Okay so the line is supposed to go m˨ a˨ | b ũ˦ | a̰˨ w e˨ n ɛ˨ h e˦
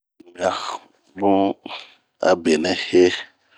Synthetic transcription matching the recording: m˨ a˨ | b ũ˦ | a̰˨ b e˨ n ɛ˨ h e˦